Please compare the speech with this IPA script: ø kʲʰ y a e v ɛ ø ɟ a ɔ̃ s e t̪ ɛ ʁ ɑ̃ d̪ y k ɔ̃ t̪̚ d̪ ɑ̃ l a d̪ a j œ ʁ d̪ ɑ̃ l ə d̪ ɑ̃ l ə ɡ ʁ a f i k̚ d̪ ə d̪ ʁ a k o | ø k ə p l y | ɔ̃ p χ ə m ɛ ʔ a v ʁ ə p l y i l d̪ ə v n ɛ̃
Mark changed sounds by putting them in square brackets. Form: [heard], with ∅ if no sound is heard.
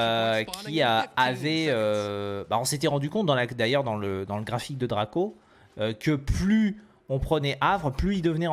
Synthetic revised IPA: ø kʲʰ [i] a [a] v ɛ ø [b] a ɔ̃ s e t̪ ɛ ʁ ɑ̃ d̪ y k ɔ̃ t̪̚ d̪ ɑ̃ l a d̪ a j œ ʁ d̪ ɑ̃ l ə d̪ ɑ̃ l ə ɡ ʁ a f i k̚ d̪ ə d̪ ʁ a k o | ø k ə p l y | ɔ̃ p χ ə [n] ɛ ʔ a v ʁ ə p l y i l d̪ ə v n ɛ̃